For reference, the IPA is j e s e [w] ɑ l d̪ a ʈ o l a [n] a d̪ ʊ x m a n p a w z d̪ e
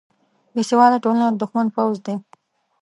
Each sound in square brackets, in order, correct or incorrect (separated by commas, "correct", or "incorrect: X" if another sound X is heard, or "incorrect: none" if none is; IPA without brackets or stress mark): correct, correct